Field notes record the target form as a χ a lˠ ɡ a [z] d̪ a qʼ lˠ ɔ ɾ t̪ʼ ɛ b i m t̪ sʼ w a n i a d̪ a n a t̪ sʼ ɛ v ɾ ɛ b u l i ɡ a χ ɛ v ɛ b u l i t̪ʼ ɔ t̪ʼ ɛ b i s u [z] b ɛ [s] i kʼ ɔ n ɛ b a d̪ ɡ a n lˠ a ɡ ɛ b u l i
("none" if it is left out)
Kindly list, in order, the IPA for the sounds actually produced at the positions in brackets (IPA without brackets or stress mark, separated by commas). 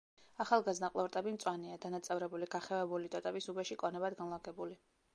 z, none, ʃ